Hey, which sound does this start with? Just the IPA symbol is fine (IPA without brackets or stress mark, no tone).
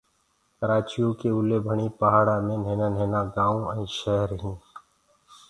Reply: k